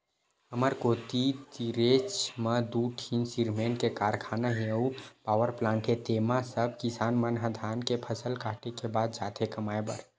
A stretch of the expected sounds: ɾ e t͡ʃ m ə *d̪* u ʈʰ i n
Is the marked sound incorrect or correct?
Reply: correct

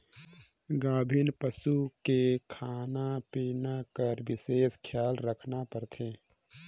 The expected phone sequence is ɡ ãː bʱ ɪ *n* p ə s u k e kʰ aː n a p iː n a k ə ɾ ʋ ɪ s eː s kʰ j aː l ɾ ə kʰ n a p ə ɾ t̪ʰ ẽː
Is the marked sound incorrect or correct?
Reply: correct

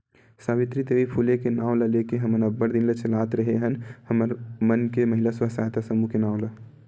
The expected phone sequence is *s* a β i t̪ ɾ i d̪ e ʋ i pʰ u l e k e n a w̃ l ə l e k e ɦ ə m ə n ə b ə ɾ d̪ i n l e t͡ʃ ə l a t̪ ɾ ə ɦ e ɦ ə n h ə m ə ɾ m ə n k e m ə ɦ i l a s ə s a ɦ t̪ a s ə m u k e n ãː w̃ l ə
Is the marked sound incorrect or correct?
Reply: correct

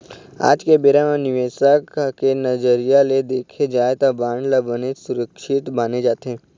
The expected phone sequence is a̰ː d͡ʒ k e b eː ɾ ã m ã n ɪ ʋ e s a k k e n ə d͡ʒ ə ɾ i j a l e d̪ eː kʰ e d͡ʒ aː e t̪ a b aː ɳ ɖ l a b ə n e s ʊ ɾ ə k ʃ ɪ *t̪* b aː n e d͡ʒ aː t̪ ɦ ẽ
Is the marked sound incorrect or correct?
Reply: correct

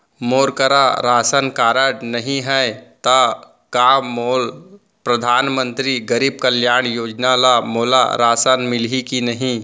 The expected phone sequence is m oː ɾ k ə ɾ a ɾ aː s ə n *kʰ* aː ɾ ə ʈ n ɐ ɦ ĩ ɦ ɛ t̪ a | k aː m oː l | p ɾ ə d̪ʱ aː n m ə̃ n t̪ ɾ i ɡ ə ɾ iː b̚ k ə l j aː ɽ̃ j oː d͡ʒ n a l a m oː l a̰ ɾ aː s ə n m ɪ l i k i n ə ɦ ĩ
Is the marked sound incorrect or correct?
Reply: incorrect: k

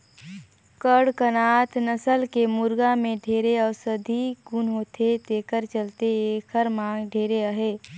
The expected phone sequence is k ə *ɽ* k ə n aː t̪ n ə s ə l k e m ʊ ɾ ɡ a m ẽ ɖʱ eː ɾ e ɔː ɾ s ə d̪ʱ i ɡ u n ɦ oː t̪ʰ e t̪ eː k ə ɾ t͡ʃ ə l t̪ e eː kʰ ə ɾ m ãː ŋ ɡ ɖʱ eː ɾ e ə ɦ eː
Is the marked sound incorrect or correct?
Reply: correct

